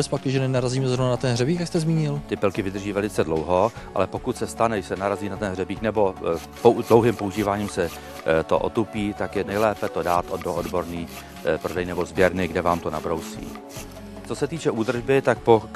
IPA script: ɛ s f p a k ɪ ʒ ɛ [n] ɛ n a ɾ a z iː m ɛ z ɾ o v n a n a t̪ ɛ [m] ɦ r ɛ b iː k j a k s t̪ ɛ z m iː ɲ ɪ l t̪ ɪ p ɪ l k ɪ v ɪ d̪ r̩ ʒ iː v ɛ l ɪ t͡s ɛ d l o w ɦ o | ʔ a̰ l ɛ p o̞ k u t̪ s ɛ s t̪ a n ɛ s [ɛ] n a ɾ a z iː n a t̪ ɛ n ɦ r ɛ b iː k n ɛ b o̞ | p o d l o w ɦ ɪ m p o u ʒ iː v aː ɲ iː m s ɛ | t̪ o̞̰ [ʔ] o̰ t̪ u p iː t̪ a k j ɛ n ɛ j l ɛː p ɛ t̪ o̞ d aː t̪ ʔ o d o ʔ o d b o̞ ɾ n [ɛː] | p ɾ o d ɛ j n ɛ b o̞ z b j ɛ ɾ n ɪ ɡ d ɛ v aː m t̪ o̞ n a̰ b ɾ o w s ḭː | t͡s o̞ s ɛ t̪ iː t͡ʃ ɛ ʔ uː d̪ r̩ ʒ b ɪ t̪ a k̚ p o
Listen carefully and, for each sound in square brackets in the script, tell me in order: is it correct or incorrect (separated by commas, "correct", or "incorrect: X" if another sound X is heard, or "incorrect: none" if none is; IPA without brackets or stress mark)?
correct, incorrect: n, correct, correct, incorrect: iː